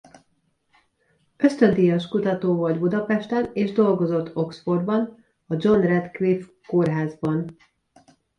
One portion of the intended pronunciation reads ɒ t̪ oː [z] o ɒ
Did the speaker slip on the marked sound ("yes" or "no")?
yes